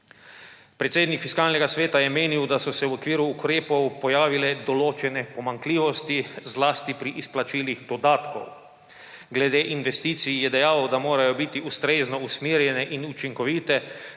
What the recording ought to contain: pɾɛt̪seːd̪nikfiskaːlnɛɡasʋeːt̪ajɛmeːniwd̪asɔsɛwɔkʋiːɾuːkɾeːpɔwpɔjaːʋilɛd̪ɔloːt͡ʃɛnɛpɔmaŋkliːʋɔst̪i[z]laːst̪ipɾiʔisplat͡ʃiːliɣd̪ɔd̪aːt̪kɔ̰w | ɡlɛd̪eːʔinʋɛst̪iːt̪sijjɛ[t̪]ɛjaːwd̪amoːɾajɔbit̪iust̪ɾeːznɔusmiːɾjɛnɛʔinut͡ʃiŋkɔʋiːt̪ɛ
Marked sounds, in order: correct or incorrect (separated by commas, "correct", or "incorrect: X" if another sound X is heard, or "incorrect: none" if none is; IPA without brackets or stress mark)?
correct, incorrect: d̪